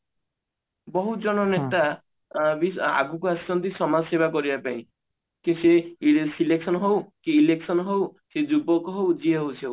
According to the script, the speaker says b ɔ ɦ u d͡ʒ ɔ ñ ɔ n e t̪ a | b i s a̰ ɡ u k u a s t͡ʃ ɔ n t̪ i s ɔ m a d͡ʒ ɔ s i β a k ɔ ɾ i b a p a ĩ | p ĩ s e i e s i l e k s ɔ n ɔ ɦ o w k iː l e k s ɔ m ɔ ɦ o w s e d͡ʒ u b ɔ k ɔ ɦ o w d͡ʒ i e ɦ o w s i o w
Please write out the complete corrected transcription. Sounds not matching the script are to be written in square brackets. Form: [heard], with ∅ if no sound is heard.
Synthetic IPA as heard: b ɔ ɦ u d͡ʒ ɔ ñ ɔ n e t̪ a | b i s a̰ ɡ u k u a s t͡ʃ ɔ n t̪ i s ɔ m a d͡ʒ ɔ s [e] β a k ɔ ɾ i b a p a ĩ | [k] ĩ s e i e s i l e k s ɔ n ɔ ɦ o w k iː l e k s ɔ [n] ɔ ɦ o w s e d͡ʒ u b ɔ k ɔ ɦ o w d͡ʒ i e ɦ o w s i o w